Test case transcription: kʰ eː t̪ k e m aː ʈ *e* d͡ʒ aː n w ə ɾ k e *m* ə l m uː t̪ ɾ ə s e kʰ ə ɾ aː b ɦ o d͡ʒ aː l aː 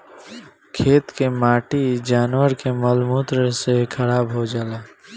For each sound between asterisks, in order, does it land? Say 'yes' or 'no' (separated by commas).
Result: no, yes